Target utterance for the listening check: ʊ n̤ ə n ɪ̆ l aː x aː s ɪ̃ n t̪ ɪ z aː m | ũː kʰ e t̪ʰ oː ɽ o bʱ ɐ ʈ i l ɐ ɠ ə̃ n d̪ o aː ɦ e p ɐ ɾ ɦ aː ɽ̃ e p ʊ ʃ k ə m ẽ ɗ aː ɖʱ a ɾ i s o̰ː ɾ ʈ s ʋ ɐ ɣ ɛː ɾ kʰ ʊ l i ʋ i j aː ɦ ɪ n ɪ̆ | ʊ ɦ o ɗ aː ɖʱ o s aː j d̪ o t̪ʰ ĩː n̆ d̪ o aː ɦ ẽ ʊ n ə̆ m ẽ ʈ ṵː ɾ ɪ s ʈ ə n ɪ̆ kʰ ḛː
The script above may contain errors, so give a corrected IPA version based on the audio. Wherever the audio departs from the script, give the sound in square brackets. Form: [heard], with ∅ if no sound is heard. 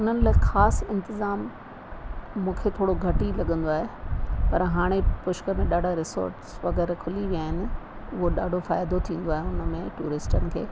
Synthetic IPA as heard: ʊ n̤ ə n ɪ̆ l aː x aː s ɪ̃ n t̪ ɪ z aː m | ũː kʰ e t̪ʰ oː ɽ o [ɡʱ] ɐ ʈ i l ɐ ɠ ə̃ n d̪ o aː ɦ e p ɐ ɾ ɦ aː ɽ̃ e p ʊ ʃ k ə m ẽ ɗ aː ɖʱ a ɾ [ɪ] s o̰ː ɾ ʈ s ʋ ɐ ɣ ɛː ɾ kʰ ʊ l i ʋ i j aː ɦ ɪ n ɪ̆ | ʊ ɦ o ɗ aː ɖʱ o [f] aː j d̪ o t̪ʰ ĩː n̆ d̪ o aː ɦ [e] ʊ n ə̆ m ẽ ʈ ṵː ɾ ɪ s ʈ ə n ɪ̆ kʰ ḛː